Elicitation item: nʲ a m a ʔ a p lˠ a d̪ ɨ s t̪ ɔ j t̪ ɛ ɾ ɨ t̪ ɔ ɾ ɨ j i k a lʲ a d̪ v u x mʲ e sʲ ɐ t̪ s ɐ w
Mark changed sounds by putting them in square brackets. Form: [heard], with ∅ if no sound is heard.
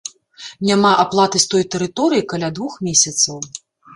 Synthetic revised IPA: nʲ a m a ʔ a p lˠ a [t̪] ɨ s t̪ ɔ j t̪ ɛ ɾ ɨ t̪ ɔ ɾ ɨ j i k a lʲ a d̪ v u x mʲ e sʲ ɐ t̪ s ɐ w